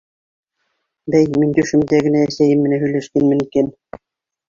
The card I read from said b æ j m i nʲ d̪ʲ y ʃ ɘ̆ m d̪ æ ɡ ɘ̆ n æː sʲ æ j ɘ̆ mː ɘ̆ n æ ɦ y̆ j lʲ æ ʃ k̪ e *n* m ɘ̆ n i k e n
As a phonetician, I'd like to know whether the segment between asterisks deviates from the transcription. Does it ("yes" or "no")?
no